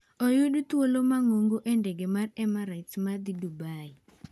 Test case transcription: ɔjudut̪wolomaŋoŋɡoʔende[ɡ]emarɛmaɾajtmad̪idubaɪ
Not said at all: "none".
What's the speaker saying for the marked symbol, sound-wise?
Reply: ɡ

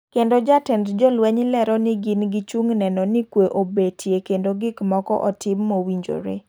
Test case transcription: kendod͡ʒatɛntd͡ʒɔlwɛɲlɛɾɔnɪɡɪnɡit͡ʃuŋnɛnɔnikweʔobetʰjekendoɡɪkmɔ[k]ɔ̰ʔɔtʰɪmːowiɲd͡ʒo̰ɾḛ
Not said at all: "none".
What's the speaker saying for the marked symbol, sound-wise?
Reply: k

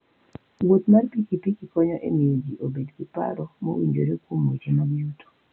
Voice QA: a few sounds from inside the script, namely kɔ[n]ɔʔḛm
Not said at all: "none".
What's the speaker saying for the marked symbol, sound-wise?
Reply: ɲ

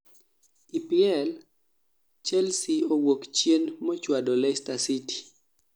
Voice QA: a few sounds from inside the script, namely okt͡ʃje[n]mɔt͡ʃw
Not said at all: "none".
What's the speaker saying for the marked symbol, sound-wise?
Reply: n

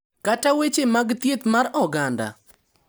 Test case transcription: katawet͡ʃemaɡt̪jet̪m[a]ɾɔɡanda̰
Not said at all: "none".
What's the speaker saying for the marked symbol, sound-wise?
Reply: a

